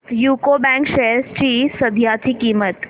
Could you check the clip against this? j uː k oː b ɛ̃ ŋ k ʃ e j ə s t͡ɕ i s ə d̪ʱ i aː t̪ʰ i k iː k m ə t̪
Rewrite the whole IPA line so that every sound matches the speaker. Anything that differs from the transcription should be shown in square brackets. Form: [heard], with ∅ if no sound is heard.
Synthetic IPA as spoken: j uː k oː b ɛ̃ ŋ k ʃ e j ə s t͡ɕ i s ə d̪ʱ [j] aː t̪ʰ i k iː [∅] m ə t̪